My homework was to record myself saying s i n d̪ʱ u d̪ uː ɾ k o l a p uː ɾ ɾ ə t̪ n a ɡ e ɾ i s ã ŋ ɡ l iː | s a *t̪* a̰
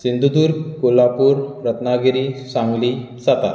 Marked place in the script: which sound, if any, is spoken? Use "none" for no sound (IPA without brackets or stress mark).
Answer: t̪